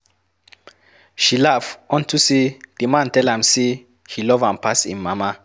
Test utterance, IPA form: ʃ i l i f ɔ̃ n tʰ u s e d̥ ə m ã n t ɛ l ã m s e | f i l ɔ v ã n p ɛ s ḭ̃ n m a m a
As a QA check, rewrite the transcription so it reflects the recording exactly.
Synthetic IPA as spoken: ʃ i l a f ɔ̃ n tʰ u s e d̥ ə m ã n t ɛ l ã m s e | h i l ɔ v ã m p a s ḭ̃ n m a m a

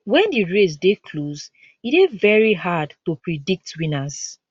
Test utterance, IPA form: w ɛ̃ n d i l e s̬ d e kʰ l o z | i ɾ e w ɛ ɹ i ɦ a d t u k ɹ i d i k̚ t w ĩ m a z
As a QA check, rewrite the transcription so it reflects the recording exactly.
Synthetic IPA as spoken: w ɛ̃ n d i ɹ e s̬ d e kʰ l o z | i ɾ e v ɛ ɹ i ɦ a d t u p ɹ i d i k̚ t w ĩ n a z

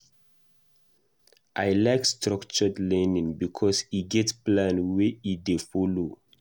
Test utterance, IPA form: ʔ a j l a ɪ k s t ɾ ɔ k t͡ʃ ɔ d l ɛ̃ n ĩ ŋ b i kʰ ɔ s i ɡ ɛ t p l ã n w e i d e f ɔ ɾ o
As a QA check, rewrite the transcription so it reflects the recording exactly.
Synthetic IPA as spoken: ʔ a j l a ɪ k s t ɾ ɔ k t͡ʃ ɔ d l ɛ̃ n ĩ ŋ b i kʰ ɔ s i ɡ ɛ t p l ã n w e i d e f ɔ l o

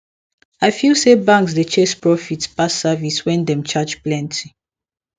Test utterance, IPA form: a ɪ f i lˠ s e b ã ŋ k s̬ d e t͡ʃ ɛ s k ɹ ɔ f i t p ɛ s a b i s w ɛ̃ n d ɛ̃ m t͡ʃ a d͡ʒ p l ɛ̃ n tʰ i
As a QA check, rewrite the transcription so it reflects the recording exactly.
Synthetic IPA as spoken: a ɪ f i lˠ s e b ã ŋ k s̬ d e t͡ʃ ɛ s p ɹ ɔ f i t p a s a v i s w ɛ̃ n d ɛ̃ m t͡ʃ a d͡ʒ p l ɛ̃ n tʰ i

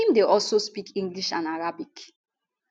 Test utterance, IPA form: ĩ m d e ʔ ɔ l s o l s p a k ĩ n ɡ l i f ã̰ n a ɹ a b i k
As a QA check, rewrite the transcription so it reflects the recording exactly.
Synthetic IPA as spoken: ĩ m d e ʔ ɔ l s o s p i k ĩ ŋ ɡ l i ʃ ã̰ n a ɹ a b i k

